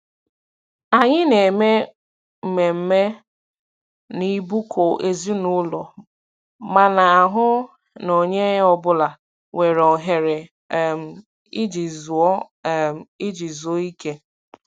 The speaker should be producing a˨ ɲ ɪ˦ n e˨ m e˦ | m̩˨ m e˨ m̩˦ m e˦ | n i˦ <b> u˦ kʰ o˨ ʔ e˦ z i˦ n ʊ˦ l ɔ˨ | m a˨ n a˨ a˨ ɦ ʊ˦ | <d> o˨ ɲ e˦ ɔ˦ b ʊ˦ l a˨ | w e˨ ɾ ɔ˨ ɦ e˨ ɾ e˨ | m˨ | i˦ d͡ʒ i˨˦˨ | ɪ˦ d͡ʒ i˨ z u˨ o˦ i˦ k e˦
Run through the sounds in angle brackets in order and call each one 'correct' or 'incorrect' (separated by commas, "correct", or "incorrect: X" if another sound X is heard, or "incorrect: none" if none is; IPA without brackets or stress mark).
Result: correct, incorrect: n